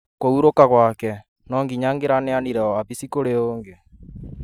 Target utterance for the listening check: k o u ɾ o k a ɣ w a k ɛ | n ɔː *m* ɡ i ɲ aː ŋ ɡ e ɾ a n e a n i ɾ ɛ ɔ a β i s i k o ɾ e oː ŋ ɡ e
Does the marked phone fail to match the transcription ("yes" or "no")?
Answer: yes